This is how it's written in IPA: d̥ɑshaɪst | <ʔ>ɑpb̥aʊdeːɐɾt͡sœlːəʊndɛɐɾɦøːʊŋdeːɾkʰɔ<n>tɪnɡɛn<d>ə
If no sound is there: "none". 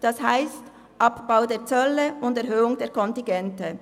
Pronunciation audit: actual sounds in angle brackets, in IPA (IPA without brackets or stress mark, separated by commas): ʔ, n, t